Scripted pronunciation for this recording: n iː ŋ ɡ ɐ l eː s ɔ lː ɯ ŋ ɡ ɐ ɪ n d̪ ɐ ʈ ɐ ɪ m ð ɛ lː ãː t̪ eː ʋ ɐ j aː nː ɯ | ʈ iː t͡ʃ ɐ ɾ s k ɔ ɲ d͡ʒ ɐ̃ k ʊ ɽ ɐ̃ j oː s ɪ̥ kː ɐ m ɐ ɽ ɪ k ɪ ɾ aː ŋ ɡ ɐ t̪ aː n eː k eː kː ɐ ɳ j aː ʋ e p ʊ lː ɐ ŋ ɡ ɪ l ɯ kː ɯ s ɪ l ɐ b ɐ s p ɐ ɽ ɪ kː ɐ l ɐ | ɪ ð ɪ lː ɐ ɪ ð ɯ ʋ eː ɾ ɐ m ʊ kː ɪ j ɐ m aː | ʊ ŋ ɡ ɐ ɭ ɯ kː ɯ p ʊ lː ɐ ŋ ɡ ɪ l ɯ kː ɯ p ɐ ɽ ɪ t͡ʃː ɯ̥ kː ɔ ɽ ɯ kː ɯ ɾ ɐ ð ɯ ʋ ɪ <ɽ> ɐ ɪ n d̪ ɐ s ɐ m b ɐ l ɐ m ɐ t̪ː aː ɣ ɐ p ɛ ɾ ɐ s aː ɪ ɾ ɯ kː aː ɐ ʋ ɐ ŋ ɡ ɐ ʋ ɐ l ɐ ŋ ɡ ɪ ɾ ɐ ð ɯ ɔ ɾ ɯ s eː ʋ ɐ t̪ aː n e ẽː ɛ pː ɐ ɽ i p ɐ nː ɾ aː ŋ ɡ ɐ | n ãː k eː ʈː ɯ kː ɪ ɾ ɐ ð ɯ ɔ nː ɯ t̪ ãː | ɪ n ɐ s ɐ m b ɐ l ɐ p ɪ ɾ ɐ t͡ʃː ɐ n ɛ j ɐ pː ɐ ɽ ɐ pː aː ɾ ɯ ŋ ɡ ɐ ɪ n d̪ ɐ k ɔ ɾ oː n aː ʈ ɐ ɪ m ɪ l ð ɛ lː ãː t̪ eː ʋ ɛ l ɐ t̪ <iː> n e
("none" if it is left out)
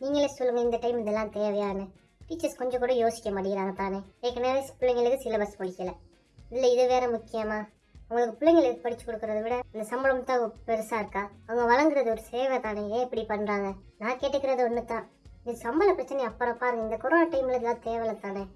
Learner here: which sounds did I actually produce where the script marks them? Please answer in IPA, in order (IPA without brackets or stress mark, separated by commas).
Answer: ɽ, aː